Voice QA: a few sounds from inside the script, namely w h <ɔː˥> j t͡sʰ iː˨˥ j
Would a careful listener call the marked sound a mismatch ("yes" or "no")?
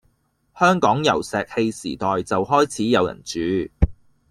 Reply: no